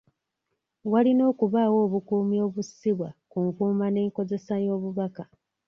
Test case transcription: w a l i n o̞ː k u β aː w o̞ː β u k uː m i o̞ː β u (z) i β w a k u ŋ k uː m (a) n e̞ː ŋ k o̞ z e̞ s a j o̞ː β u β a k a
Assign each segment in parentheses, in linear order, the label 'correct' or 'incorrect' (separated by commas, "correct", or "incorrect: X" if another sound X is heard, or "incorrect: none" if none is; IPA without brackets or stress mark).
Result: incorrect: s, correct